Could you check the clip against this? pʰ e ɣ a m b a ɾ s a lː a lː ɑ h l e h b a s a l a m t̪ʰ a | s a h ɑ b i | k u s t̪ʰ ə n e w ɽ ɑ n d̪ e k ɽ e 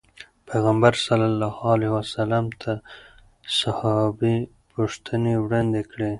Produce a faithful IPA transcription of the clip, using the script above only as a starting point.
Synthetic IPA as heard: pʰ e ɣ a m b a ɾ s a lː a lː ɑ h l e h w a s a l a m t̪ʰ a | s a h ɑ b i | p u ʂ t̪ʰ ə n e w ɽ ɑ n d̪ e k ɽ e